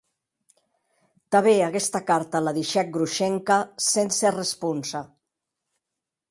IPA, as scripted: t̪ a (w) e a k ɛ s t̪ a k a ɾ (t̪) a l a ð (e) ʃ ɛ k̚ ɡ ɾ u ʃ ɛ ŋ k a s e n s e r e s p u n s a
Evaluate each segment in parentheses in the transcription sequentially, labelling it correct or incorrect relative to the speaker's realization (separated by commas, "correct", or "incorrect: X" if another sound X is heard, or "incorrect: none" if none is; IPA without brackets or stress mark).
incorrect: β, correct, incorrect: i